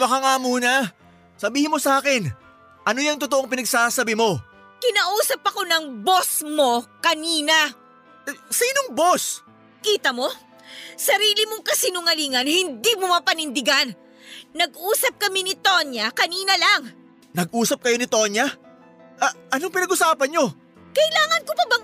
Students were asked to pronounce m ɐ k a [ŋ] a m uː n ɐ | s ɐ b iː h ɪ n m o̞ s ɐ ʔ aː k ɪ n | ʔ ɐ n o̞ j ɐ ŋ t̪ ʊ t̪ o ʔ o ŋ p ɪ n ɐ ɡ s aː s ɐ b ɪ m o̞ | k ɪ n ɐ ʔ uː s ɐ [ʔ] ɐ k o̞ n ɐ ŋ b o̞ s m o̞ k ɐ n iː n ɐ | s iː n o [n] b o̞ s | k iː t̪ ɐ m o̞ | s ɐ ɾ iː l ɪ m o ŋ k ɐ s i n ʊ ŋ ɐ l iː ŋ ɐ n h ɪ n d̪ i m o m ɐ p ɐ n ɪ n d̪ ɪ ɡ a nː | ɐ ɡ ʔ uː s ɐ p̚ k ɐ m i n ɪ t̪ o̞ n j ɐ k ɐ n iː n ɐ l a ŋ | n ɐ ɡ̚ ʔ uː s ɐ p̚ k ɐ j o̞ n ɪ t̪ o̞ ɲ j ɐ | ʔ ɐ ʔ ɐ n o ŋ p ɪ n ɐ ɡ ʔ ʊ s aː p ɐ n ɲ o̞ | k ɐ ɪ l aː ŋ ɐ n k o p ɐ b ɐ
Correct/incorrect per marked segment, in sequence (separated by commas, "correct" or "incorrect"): correct, incorrect, incorrect